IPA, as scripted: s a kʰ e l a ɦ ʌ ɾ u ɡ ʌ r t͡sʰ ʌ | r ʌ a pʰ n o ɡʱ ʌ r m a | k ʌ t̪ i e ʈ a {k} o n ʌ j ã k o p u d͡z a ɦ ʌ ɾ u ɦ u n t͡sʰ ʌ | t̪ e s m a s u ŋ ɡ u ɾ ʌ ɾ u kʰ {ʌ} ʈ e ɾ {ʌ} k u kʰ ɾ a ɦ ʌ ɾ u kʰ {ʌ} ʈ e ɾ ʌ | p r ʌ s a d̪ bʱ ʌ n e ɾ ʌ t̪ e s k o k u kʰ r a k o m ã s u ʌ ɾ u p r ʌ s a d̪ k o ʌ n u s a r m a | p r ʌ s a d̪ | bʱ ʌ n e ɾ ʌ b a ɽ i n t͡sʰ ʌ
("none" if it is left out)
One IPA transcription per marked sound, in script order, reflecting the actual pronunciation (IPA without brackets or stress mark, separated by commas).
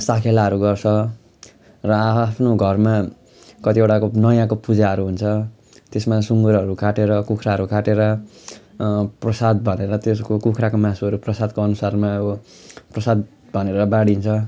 k, a, ʌ, a